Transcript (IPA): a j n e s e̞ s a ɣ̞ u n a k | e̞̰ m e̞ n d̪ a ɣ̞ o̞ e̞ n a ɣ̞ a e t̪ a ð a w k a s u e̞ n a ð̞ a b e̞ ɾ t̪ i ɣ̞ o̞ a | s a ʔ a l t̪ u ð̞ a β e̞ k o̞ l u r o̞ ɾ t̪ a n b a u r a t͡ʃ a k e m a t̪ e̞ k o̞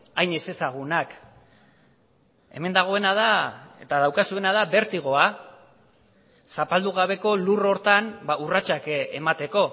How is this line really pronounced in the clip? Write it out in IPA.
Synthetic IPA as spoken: a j n e s e̞ s a ɣ̞ u n a k | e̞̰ m e̞ n d̪ a ɣ̞ o̞ e̞ n a ð̞ a e t̪ a ð a w k a s u e̞ n a ð̞ a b e̞ ɾ t̪ i ɣ̞ o̞ a | s a p a l d̪ u ɣ̞ a β e̞ k o̞ l u r o̞ ɾ t̪ a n b a u r a t͡ʃ a k e m a t̪ e̞ k o̞